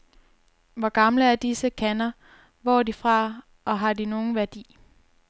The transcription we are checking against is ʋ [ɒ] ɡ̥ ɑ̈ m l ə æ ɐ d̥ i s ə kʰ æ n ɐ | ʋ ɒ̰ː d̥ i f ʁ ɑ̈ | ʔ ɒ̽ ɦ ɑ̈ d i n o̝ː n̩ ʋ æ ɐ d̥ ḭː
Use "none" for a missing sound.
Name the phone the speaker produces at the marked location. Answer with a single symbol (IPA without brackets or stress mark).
ɒ